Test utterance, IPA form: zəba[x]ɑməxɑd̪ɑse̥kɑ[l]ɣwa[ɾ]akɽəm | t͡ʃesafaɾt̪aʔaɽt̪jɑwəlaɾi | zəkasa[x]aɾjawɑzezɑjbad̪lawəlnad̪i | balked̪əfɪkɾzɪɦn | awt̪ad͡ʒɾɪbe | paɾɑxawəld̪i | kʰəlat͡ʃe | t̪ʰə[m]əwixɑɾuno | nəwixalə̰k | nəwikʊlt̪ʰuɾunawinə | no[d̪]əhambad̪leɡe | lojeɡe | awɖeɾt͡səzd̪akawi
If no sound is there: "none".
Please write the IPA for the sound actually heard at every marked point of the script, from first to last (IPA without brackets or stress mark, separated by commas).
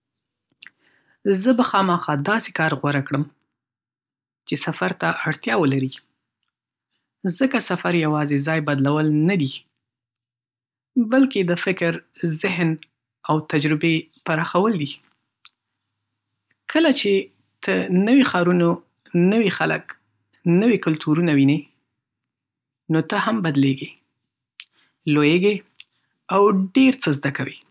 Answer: x, ɾ, ɾ, f, n, t̪